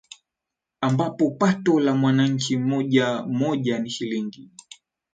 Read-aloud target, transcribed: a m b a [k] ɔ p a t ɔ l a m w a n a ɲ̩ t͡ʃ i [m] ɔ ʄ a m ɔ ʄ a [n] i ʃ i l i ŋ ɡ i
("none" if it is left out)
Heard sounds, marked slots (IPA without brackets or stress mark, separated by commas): p, m, n